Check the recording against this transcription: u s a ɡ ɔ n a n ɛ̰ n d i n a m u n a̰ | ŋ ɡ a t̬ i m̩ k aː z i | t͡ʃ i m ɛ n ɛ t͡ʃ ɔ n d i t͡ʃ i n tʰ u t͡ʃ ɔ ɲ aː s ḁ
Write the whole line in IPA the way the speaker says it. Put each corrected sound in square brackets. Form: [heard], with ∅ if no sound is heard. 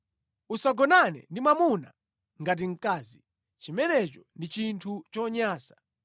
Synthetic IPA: u s a ɡ ɔ n a n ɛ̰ n d i [m] a m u n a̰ | ŋ ɡ a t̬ i [ŋ̩] k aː z i | t͡ʃ i m ɛ n ɛ t͡ʃ ɔ n d i t͡ʃ i n tʰ u t͡ʃ ɔ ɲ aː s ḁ